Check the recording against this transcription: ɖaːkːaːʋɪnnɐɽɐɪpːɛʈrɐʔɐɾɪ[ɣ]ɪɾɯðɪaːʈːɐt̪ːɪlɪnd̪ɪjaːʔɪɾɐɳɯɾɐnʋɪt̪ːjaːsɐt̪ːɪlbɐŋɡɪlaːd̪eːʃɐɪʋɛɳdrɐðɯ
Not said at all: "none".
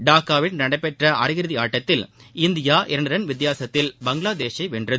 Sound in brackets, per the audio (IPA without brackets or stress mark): ɣ